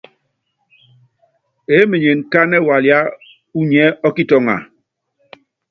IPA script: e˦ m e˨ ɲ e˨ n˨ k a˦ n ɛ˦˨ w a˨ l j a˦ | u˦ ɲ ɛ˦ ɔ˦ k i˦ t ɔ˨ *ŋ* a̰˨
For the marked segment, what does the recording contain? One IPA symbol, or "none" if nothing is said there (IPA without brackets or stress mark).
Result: ŋ